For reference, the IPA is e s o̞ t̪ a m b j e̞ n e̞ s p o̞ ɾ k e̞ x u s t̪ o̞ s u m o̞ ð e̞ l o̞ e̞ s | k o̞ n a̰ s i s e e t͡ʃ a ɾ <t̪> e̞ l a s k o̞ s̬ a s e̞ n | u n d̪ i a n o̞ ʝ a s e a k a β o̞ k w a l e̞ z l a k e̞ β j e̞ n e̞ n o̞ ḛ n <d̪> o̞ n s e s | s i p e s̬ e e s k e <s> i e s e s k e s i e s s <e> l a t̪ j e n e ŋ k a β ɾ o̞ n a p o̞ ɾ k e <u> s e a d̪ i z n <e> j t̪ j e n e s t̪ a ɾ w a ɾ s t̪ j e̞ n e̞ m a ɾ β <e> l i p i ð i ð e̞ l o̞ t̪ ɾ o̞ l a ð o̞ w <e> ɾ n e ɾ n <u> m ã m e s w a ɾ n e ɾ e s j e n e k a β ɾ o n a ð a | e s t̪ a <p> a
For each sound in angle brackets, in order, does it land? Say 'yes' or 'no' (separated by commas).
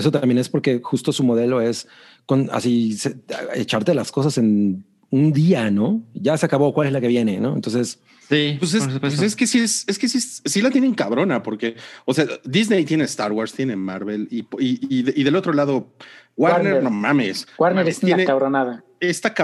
yes, no, yes, no, no, yes, yes, no, no, no